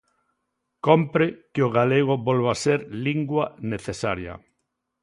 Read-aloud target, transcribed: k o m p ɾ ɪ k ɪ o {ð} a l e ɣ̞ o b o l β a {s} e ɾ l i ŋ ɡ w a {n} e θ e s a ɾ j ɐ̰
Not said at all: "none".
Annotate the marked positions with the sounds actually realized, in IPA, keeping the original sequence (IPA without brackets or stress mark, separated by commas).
ɣ, s, n